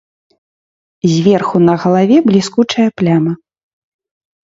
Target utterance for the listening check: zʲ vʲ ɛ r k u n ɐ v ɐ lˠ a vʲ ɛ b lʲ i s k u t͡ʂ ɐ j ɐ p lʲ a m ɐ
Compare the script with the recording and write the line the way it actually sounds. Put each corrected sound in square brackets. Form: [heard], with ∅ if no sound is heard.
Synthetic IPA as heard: zʲ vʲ ɛ r [x] u n ɐ [ɣ] ɐ lˠ a vʲ ɛ b lʲ i s k u t͡ʂ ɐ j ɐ p lʲ a m ɐ